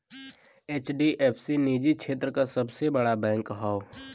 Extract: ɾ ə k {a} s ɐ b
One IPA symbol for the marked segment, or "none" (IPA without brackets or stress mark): a